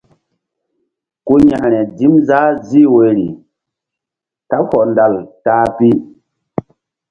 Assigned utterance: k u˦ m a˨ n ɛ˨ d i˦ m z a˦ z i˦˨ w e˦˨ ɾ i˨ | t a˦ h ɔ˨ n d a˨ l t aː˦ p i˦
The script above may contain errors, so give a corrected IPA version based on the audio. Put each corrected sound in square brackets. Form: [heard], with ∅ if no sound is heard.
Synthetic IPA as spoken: k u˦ [ɲ] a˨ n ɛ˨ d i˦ m z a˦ z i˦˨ w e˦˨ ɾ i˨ | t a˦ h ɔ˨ n d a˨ l t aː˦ p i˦